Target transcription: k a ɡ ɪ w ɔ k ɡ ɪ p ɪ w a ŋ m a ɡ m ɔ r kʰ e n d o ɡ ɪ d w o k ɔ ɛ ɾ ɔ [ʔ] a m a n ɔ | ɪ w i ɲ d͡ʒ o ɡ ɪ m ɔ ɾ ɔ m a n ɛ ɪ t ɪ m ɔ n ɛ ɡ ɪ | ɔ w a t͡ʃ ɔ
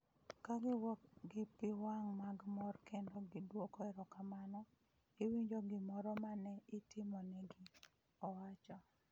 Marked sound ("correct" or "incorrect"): incorrect